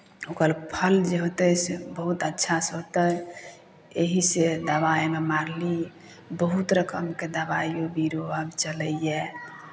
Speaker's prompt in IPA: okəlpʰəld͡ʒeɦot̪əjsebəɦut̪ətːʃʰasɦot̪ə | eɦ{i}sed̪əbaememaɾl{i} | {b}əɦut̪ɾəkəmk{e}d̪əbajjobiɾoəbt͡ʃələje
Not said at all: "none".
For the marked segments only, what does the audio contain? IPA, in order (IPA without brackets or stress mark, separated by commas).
i, i, b, e